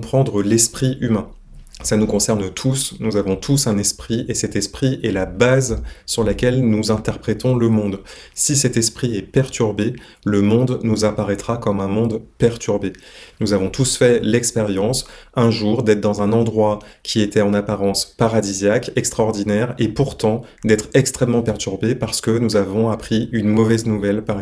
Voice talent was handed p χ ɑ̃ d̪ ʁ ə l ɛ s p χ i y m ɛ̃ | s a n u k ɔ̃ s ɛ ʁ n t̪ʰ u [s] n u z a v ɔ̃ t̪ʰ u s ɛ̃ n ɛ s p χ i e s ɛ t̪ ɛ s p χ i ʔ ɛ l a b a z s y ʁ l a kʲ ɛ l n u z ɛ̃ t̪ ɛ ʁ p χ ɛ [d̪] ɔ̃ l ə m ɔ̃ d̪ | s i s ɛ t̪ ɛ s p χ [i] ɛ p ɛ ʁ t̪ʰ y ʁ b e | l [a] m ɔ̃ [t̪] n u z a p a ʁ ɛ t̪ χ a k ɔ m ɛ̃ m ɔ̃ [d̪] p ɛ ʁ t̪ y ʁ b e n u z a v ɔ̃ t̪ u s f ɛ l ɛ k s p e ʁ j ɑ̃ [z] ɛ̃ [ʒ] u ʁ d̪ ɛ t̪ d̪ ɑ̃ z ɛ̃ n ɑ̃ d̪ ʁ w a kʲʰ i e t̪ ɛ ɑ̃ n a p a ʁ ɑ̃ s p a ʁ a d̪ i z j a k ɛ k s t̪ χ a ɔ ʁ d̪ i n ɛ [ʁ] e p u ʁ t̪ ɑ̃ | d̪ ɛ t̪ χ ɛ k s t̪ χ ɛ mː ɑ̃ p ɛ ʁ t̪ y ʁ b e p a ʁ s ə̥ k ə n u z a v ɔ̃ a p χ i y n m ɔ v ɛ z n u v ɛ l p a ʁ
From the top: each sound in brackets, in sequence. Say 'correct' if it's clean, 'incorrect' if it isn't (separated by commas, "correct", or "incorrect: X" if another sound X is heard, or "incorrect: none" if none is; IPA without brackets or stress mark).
correct, incorrect: t̪, correct, incorrect: ə, incorrect: d̪, correct, incorrect: s, correct, correct